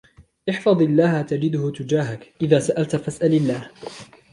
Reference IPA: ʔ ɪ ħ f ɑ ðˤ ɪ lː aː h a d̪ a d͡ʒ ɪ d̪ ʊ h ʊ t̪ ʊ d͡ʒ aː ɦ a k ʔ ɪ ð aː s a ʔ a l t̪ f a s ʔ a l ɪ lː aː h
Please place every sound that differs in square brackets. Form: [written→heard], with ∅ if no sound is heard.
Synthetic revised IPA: ʔ ɪ ħ f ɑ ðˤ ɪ lː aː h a [d̪→t̪] a d͡ʒ ɪ d̪ ʊ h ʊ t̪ ʊ d͡ʒ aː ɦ a k ʔ ɪ ð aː s a ʔ a l t̪ f a s ʔ a l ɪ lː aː h